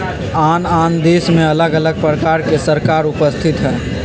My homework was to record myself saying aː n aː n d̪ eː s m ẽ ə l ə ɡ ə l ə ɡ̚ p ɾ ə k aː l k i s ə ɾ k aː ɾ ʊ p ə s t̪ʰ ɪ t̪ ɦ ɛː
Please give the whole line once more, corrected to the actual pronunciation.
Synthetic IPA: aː n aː n d̪ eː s m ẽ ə l ə ɡ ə l ə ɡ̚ p ɾ ə k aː ɾ k e s ə ɾ k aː ɾ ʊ p ə s t̪ʰ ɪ t̪ ɦ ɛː